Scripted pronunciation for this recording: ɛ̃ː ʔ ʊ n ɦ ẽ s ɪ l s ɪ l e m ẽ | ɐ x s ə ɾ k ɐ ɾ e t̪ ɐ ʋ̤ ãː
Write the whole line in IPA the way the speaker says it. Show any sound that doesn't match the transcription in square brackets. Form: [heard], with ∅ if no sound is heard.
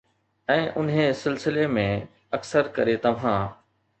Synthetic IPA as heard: ɛ̃ː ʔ ʊ n ɦ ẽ s ɪ l s ɪ l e m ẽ | ɐ [k] s ə ɾ k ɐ ɾ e t̪ ɐ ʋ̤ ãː